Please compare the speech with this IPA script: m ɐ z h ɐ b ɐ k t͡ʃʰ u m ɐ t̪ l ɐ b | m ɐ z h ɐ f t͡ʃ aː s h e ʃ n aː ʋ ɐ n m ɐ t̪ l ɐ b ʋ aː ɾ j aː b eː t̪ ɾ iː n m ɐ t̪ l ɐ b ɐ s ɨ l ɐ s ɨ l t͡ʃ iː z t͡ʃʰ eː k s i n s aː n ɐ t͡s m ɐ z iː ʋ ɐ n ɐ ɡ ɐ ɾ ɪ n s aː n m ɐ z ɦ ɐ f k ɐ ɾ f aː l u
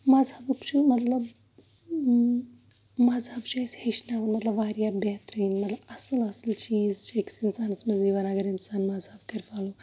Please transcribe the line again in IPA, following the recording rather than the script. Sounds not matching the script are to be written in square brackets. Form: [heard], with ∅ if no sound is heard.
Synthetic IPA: m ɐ z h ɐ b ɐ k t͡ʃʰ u m ɐ t̪ l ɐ b | m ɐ z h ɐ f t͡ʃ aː s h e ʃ n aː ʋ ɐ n m ɐ t̪ l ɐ b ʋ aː ɾ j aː b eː t̪ ɾ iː n m ɐ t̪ l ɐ b ɐ s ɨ l ɐ s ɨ l t͡ʃ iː z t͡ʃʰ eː k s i n s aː n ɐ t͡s m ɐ z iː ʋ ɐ n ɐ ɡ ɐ ɾ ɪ n s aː n m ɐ z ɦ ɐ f k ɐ ɾ f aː l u